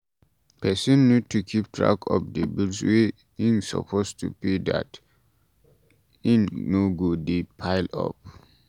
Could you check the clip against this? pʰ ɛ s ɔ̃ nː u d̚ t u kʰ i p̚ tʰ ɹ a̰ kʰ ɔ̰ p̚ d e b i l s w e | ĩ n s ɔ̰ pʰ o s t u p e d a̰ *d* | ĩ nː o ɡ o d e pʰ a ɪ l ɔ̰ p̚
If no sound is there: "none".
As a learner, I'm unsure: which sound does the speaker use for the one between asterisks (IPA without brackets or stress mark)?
t